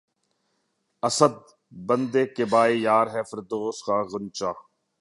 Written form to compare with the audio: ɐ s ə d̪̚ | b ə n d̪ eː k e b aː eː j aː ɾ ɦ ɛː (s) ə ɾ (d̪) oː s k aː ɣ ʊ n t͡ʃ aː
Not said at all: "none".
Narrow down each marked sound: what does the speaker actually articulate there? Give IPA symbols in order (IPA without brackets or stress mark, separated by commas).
f, d̪